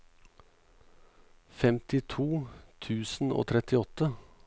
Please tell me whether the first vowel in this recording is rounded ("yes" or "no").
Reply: no